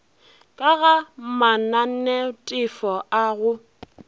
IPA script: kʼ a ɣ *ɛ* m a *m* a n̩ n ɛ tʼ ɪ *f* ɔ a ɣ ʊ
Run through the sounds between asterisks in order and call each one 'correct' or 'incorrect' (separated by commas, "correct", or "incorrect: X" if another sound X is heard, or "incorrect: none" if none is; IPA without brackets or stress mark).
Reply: incorrect: a, incorrect: n, correct